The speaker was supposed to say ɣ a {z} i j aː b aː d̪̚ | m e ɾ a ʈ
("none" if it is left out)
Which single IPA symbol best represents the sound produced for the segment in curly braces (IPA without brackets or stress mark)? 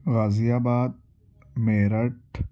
z